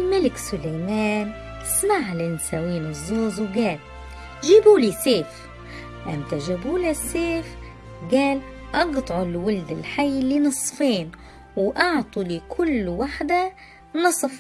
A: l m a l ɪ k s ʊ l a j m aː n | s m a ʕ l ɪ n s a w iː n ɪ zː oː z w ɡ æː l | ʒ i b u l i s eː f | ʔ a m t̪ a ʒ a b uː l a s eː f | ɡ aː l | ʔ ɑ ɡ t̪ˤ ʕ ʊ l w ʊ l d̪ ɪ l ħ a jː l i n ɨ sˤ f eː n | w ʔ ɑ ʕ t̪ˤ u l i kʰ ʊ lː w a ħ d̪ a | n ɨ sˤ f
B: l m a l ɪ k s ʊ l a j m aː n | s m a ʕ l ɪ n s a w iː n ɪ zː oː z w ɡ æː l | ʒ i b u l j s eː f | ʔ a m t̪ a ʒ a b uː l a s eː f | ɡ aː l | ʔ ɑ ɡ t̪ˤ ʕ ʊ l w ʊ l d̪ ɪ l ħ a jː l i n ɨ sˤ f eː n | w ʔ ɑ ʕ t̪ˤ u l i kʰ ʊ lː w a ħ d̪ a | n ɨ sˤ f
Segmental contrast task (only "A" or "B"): A